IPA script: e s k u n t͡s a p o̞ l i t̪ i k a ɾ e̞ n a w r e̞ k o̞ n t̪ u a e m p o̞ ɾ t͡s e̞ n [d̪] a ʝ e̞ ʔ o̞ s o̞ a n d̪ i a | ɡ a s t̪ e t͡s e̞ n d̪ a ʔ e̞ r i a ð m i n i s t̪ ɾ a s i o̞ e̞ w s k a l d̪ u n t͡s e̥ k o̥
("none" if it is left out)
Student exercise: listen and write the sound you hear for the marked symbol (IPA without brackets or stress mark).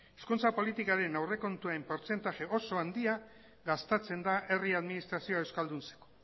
t̪